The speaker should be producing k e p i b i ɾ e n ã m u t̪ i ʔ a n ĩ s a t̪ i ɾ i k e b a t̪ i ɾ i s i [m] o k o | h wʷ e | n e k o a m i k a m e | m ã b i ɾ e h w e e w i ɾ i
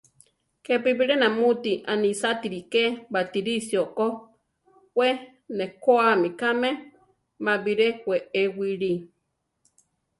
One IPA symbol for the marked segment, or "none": none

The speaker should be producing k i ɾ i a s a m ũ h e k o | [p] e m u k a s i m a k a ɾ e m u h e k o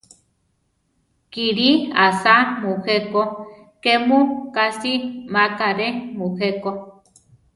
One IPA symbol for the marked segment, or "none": k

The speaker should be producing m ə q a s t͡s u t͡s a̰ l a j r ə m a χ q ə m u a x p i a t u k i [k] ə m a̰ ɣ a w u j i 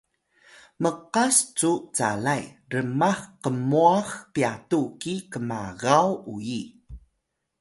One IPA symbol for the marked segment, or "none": k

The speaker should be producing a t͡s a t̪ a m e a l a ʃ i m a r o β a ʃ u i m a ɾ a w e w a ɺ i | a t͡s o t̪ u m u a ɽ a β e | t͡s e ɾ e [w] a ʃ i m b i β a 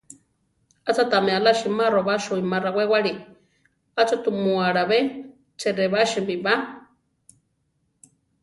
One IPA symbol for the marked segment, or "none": β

